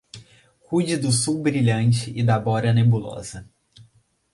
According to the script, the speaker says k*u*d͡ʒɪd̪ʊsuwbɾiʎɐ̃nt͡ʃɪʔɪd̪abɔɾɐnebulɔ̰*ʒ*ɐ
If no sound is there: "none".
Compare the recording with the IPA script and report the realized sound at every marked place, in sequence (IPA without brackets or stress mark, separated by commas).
u, z